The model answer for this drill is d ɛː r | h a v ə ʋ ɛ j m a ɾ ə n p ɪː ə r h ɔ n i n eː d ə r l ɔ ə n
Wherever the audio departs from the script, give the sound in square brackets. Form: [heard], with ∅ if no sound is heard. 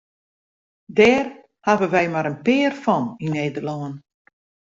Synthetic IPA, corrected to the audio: d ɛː r | h a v ə ʋ ɛ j m a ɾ ə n p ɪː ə r [f] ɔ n i n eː d ə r l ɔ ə n